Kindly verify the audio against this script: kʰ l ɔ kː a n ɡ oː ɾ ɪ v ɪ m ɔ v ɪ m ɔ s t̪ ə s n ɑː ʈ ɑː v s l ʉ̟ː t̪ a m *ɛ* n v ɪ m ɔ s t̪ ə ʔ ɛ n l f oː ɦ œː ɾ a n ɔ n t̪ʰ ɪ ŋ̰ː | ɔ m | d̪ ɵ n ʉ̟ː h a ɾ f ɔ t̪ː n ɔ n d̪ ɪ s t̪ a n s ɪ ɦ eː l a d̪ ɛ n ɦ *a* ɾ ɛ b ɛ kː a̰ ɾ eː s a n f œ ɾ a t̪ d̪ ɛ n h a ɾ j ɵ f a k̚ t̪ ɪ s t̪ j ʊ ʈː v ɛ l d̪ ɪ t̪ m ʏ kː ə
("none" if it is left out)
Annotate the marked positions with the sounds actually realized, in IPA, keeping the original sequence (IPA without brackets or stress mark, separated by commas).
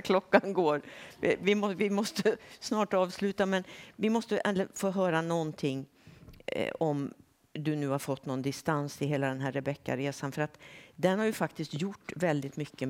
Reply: ɛ, æ